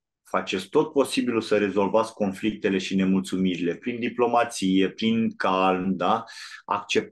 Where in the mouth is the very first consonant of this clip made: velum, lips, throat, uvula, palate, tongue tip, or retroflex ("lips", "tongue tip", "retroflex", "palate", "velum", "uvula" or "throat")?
lips